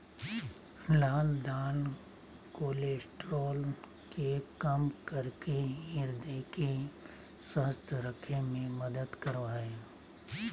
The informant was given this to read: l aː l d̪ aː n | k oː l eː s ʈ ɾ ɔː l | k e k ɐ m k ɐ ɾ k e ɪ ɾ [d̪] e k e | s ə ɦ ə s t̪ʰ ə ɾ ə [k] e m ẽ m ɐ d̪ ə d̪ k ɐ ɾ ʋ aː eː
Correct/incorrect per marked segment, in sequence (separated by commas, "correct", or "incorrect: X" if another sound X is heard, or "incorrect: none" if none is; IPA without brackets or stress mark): correct, incorrect: kʰ